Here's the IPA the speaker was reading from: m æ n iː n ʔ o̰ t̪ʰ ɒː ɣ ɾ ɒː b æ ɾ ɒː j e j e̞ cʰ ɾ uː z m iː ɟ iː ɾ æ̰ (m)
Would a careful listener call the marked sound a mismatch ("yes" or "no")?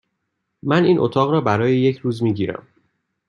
no